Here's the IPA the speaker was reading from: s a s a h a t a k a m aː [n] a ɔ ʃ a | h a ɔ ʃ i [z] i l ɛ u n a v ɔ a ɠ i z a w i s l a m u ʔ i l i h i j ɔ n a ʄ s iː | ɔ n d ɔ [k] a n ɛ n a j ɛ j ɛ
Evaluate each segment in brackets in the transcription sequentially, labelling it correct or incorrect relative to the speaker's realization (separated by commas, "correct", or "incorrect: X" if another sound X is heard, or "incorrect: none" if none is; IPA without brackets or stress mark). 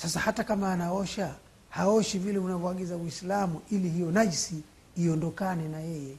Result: correct, incorrect: v, correct